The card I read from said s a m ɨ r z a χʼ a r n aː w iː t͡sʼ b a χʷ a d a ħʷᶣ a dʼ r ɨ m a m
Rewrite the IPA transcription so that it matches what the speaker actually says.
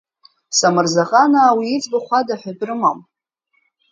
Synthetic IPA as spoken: s a m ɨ r z a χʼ a n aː w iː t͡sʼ b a χʷ a d a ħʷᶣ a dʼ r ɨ m a m